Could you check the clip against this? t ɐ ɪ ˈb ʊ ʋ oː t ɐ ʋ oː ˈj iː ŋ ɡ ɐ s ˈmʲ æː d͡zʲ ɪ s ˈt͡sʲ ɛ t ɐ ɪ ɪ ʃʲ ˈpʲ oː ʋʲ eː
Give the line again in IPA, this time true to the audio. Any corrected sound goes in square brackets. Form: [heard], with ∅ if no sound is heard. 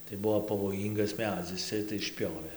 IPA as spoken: t ɐ ɪ ˈb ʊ ʋ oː [p] ɐ ʋ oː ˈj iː ŋ ɡ ɐ s ˈmʲ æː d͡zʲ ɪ s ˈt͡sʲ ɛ t ɐ ɪ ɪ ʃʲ ˈpʲ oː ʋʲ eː